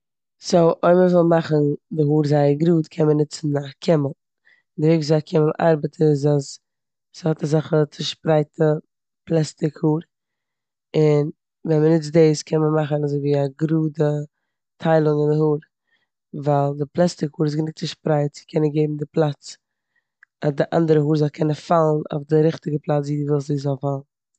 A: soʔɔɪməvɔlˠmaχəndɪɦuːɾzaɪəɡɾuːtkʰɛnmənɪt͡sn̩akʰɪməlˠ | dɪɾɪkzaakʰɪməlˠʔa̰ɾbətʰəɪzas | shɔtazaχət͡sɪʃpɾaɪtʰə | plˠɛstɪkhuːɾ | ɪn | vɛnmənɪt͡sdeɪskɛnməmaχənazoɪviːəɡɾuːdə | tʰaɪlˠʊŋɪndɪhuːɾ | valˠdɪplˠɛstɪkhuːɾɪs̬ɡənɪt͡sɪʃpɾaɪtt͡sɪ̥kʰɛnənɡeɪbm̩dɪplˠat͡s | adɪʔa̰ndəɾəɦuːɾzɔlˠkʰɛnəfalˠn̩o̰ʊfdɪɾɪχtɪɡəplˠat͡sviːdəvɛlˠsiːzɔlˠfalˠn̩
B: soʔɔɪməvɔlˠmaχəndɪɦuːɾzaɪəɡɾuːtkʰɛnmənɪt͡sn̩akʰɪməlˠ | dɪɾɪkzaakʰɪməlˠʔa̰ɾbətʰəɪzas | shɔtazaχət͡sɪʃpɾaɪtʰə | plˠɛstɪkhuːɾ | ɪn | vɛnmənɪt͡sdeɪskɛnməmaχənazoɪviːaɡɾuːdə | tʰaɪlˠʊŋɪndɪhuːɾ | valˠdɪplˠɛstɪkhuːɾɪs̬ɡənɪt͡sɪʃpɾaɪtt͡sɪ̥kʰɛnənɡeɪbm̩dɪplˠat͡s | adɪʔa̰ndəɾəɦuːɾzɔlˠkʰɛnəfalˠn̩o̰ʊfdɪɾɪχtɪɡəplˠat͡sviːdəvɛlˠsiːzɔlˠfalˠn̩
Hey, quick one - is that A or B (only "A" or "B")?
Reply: B